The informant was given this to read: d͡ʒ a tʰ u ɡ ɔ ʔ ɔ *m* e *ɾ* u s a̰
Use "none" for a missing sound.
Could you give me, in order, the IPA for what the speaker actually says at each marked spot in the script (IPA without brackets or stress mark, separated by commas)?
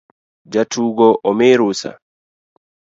m, ɾ